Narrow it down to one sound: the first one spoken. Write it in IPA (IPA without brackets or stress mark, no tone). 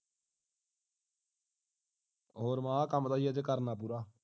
ɦ